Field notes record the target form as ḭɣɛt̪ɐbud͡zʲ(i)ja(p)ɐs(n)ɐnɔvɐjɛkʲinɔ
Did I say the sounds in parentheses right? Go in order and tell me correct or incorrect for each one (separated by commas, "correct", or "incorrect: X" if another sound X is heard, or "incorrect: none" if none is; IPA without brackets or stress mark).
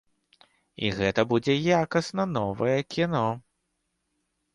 incorrect: ɛ, incorrect: k, correct